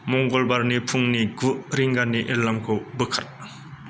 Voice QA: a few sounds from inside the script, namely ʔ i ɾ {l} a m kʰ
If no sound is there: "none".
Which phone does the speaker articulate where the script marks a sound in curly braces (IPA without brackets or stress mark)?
l